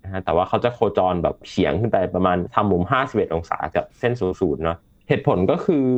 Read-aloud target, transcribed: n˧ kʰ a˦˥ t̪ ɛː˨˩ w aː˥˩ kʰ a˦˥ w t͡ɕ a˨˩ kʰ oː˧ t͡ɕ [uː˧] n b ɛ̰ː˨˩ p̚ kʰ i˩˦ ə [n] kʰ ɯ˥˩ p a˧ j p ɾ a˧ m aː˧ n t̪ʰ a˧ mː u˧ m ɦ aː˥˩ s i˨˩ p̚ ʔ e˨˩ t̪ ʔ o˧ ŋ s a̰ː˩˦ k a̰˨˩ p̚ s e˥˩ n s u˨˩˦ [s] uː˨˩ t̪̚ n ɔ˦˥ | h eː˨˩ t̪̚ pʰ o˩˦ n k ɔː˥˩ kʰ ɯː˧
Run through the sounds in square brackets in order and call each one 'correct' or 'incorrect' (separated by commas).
incorrect, incorrect, correct